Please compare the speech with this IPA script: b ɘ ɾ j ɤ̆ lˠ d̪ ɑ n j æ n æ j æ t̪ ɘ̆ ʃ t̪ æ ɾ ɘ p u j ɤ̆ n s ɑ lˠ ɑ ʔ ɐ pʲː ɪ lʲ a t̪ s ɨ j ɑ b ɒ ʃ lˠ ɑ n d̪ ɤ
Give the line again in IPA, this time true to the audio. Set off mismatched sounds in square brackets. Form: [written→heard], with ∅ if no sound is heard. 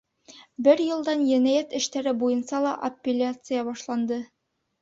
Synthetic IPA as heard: b ɘ ɾ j ɤ̆ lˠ d̪ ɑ n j æ n æ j æ t̪ ɘ̆ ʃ t̪ æ ɾ ɘ [p→b] u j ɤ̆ n s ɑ lˠ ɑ ʔ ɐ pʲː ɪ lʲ a t̪ s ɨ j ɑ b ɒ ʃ lˠ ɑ n d̪ ɤ